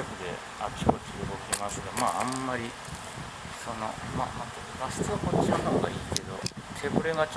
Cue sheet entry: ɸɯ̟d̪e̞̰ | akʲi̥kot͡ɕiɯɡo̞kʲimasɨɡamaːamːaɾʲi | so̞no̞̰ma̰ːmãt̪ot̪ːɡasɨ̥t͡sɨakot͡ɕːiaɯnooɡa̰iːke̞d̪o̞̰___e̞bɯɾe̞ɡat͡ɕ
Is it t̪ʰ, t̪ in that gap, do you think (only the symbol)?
t̪ʰ